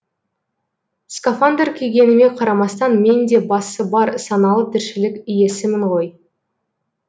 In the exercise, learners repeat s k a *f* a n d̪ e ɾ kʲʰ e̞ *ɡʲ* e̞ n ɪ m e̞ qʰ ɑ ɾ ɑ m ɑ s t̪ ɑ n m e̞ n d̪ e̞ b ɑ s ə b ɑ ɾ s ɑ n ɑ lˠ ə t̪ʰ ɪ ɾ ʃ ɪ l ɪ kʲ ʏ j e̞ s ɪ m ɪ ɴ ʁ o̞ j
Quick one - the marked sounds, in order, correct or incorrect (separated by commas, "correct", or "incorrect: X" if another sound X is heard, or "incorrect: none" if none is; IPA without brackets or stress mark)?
correct, correct